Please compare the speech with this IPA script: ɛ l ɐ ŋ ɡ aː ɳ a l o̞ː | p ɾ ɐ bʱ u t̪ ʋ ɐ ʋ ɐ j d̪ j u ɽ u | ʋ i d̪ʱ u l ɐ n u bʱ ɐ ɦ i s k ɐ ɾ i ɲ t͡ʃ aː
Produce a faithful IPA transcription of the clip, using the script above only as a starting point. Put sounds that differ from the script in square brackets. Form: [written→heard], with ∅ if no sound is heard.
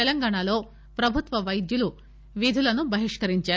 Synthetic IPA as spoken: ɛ l ɐ ŋ ɡ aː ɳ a l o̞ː | p ɾ ɐ bʱ u t̪ ʋ ɐ ʋ ɐ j d̪ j u [ɽ→l] u | ʋ i d̪ʱ u l ɐ n u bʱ ɐ ɦ i [s→ʂ] k ɐ ɾ i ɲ t͡ʃ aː